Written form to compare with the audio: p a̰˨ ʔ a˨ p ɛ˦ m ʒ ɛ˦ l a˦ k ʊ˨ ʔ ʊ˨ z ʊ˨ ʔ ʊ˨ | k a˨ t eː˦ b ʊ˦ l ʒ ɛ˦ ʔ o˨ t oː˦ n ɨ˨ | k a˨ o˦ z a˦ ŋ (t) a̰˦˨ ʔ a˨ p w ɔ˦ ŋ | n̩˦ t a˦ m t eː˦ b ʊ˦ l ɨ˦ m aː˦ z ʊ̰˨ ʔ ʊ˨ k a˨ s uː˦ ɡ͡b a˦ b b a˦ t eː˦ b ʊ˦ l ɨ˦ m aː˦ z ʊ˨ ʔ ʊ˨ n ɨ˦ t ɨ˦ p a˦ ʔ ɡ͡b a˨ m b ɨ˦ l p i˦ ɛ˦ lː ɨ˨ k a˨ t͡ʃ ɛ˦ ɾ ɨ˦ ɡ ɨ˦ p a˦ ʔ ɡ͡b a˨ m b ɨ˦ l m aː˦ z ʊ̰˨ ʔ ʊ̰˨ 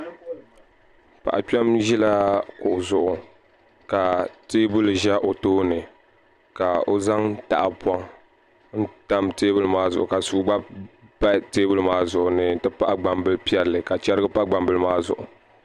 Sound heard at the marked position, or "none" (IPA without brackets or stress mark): t